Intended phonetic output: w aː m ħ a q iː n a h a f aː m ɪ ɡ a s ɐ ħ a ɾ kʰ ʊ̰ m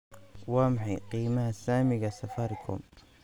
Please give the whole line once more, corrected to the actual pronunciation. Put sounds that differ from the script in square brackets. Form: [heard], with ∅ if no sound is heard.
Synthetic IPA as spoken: w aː m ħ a q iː [m] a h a [s] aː m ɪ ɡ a s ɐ [f] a ɾ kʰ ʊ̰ m